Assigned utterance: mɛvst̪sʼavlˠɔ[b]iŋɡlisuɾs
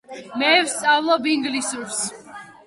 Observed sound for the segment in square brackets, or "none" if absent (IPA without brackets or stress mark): b